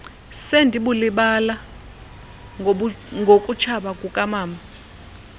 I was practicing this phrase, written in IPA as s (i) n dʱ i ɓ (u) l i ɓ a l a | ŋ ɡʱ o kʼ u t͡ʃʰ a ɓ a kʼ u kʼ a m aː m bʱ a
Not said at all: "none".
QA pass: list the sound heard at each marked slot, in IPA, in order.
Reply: e, u

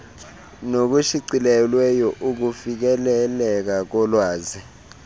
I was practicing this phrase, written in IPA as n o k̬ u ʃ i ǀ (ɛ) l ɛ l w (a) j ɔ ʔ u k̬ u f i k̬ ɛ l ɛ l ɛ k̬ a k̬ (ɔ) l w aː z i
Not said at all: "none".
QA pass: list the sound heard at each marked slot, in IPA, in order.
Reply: i, ɛ, ɔ

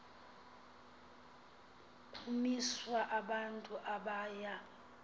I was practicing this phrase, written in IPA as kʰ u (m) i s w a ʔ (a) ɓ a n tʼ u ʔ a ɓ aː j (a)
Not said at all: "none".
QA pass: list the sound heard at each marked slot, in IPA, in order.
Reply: m, a, a

